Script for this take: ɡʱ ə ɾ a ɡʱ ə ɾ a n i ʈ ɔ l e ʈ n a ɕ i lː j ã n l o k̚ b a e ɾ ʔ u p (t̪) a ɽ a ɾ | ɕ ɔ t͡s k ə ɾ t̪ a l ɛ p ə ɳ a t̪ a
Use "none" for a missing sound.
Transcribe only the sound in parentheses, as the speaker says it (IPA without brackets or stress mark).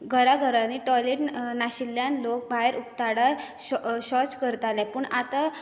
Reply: t̪